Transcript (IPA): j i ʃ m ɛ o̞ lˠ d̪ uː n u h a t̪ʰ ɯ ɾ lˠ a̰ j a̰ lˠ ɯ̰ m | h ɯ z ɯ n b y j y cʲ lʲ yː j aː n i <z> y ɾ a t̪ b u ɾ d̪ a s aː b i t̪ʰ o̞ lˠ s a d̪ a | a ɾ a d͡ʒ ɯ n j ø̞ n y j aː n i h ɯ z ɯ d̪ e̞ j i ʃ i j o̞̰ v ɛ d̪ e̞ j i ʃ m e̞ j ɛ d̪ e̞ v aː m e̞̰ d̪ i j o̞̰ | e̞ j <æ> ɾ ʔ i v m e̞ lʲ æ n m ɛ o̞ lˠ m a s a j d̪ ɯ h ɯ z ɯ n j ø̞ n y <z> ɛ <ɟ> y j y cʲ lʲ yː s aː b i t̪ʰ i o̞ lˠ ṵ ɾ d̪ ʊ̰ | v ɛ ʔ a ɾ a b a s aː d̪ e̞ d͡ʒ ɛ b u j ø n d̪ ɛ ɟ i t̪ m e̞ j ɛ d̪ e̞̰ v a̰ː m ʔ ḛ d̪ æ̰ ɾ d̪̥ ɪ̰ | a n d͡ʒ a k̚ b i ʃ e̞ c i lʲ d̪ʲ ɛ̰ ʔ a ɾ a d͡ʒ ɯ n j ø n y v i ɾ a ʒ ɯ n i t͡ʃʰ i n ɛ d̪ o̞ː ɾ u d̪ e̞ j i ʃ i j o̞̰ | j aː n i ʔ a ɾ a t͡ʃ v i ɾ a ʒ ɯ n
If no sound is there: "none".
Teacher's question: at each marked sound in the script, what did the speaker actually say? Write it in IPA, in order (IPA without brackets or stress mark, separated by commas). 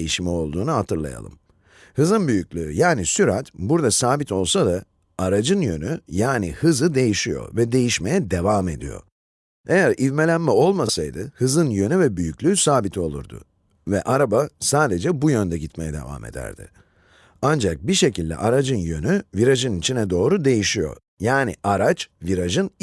s, æ, v, b